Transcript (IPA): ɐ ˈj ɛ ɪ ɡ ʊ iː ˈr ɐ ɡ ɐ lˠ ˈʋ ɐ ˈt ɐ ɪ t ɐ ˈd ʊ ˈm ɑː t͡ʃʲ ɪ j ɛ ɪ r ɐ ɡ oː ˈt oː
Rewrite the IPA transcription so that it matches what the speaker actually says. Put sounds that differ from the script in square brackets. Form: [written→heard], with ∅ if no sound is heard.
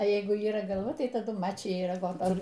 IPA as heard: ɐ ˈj ɛ ɪ ɡ ʊ iː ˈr ɐ ɡ ɐ lˠ ˈʋ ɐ ˈt ɐ ɪ t ɐ ˈd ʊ ˈm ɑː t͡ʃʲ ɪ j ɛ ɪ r ɐ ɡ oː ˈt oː